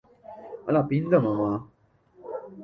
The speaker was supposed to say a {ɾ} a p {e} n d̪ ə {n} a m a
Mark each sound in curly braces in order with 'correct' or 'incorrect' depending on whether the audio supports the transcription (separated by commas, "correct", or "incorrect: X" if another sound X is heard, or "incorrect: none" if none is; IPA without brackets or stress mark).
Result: incorrect: l, incorrect: i, incorrect: m